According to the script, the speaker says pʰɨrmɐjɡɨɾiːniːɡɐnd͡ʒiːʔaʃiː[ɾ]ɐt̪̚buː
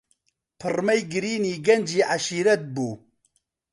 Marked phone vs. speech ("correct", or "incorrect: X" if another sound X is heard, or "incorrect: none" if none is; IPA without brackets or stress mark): correct